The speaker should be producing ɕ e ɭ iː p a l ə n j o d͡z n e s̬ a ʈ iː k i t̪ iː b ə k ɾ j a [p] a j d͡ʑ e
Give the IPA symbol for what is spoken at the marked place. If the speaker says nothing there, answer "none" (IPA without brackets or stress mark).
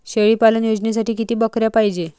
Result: p